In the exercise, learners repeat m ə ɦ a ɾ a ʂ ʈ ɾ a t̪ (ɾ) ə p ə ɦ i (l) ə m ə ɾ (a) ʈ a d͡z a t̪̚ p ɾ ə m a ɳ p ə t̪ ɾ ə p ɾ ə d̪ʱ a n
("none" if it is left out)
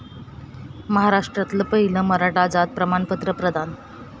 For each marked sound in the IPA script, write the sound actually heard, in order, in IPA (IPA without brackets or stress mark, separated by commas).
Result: l, l, a